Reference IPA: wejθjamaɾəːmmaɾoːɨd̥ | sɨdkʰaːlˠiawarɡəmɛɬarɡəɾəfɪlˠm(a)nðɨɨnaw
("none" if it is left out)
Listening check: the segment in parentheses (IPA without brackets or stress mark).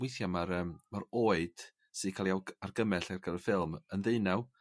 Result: ə